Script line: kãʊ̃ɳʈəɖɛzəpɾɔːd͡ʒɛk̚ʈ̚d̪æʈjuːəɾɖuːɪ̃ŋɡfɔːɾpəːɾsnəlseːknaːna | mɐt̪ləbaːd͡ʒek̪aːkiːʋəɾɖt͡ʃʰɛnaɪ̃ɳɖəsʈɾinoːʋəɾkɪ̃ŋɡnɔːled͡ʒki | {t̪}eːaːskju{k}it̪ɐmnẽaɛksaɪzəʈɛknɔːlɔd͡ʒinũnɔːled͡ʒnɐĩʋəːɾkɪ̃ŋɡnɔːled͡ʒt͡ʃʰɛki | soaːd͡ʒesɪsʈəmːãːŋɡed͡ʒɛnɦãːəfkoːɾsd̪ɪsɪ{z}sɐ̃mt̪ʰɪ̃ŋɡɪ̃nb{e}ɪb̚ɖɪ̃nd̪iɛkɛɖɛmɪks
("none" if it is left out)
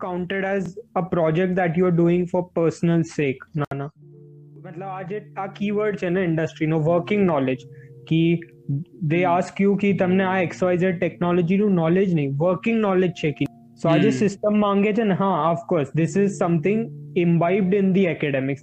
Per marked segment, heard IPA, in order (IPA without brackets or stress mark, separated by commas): d̪, k, z, a